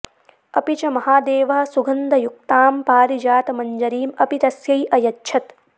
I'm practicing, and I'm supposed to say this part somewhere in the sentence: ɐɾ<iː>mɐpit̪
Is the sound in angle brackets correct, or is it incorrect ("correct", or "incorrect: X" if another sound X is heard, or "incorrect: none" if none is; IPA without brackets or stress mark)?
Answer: correct